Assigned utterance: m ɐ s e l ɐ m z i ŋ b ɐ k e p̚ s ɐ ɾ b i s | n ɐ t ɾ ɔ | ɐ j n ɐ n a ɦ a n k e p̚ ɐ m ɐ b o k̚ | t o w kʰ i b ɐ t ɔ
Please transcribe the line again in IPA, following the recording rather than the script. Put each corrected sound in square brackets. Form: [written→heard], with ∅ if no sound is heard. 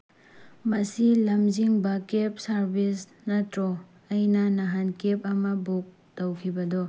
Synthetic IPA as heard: m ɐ s [e→i] l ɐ m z i ŋ b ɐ k e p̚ s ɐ ɾ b i s | n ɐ t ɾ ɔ | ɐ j n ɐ n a ɦ a n k e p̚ ɐ m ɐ b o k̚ | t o w kʰ i b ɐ [t→d] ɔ